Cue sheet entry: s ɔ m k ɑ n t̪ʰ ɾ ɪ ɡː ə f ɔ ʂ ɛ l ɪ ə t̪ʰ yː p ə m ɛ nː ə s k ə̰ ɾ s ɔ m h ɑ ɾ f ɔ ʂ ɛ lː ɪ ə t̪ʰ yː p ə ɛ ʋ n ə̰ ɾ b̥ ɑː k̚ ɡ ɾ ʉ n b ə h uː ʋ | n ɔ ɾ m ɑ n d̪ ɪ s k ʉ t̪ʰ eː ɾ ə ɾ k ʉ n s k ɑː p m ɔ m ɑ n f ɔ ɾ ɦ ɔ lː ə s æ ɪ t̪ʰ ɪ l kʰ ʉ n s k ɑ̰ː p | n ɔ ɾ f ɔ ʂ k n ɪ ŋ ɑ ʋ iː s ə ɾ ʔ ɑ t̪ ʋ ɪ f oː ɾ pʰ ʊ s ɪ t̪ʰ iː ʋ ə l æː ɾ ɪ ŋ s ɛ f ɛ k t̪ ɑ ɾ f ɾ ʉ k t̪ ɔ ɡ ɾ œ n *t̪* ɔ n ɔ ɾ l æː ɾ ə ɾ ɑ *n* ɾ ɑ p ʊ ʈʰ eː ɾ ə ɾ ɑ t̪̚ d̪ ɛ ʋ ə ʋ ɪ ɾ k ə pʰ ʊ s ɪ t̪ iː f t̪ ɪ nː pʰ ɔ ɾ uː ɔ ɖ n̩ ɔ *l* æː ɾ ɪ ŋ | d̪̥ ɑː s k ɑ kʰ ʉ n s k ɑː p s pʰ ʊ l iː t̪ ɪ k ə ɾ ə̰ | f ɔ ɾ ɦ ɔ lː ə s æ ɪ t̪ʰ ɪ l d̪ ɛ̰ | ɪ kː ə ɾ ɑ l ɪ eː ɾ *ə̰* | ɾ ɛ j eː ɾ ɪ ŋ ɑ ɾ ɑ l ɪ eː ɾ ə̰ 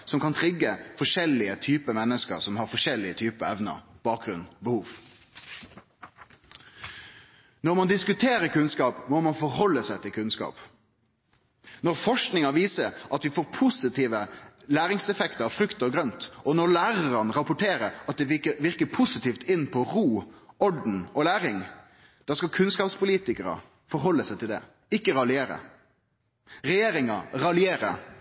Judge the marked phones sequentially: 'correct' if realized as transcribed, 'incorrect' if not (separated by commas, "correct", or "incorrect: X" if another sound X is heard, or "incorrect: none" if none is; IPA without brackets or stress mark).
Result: correct, correct, correct, correct